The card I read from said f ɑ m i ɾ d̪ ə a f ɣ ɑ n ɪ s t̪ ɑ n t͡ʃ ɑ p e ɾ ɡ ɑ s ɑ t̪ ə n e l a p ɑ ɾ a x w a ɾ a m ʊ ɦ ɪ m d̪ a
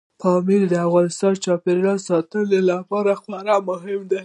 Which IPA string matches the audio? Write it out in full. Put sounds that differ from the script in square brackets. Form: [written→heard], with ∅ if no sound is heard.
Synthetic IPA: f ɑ m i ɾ d̪ ə a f ɣ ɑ n ɪ s t̪ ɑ n t͡ʃ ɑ p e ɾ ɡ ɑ s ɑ t̪ ə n e l a p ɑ ɾ a x w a ɾ a m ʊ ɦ ɪ m d̪ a